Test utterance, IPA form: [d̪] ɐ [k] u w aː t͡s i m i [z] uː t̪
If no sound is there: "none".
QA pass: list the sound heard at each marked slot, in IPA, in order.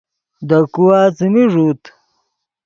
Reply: d̪, k, ʐ

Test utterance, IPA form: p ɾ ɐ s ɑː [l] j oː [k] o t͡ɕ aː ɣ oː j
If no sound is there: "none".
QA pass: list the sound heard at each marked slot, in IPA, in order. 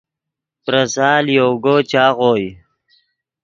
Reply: l, ɡ

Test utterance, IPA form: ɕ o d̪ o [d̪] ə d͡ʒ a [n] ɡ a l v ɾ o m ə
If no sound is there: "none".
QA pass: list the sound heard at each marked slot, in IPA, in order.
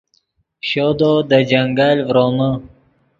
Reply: d̪, ŋ

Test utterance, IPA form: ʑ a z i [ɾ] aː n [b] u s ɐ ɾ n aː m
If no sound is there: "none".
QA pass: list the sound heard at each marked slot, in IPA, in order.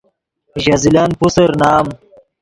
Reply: l, p

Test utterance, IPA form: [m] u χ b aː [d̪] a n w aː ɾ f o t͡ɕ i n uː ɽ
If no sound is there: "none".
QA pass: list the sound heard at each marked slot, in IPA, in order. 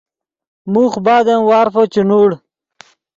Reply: m, d̪

